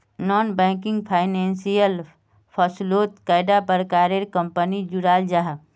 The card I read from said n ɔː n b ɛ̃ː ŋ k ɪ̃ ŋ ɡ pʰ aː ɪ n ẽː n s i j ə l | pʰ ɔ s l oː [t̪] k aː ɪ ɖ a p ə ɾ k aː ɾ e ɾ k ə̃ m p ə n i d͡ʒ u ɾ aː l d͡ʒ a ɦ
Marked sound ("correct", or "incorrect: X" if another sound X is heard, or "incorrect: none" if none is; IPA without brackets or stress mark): correct